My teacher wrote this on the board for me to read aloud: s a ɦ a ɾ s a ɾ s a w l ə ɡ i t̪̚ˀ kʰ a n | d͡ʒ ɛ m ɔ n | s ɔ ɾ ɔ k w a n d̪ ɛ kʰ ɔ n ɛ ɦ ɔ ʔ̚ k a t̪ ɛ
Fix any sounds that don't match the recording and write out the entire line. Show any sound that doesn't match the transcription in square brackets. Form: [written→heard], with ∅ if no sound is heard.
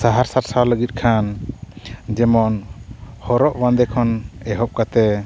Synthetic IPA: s a ɦ a ɾ s a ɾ s a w l ə ɡ i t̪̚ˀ kʰ a n | d͡ʒ ɛ m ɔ n | [s→h] ɔ ɾ ɔ [k→ʔ] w a n d̪ ɛ kʰ ɔ n ɛ ɦ ɔ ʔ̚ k a t̪ ɛ